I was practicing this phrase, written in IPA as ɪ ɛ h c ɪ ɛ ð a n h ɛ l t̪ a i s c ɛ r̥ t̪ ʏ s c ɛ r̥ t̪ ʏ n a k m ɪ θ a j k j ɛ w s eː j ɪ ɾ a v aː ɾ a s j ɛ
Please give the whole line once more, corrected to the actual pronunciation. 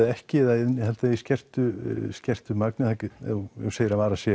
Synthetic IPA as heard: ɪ ɛ h c ɪ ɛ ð a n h ɛ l t̪ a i s c ɛ r̥ t̪ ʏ s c ɛ r̥ t̪ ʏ m a k n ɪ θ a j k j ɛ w s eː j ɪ ɾ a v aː ɾ a s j ɛ